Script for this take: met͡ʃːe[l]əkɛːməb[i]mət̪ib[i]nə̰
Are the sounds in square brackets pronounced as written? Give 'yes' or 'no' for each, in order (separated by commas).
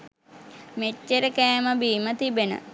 no, no, no